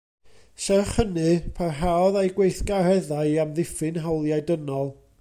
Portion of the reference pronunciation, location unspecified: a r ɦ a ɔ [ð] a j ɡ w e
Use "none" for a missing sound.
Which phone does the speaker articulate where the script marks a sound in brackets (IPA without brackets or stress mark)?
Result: ð